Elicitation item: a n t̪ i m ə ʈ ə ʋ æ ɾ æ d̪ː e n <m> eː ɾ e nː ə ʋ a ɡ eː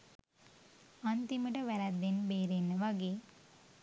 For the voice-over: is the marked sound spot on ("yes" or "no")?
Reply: no